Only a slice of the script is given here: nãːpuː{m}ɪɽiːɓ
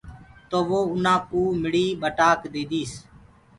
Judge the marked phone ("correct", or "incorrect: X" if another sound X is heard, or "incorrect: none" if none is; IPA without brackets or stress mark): correct